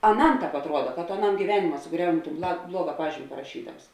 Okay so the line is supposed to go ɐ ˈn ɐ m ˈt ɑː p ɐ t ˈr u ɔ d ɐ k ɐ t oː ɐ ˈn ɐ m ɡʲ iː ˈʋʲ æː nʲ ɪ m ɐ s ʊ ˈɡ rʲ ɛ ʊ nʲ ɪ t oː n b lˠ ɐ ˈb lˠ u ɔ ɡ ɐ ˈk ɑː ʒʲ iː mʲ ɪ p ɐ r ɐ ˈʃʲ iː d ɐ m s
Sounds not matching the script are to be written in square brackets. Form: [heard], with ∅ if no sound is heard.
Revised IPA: ɐ ˈn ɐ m ˈt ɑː p ɐ t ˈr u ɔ d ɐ k ɐ t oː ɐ ˈn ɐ m ɡʲ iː ˈʋʲ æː nʲ ɪ m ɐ s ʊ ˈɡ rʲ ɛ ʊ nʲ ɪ t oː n b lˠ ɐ ˈb lˠ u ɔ ɡ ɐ [ˈp] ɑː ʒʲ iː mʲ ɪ p ɐ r ɐ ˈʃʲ iː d ɐ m s